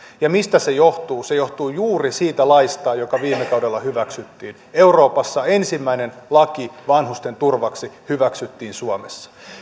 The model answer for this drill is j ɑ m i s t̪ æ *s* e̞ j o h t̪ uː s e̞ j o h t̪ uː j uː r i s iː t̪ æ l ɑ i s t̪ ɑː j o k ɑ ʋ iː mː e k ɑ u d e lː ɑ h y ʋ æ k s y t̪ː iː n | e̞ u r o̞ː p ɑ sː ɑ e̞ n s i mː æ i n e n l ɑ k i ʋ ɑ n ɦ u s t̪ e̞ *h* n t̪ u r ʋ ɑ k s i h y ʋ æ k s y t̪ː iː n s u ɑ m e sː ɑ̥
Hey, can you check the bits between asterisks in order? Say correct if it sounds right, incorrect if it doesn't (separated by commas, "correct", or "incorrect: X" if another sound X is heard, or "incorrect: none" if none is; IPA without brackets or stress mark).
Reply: correct, incorrect: none